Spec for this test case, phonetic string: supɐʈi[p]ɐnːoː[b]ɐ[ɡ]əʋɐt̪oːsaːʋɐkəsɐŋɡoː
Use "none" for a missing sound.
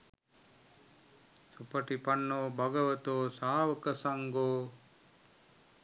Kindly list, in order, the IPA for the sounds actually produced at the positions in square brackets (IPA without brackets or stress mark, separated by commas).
p, b, ɡ